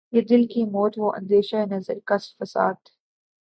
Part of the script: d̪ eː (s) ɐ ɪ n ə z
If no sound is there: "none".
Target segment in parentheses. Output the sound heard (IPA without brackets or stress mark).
ʃ